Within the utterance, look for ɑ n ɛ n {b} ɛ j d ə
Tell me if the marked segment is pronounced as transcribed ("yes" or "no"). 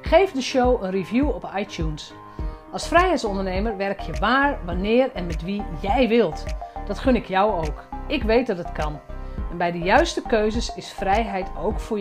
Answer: yes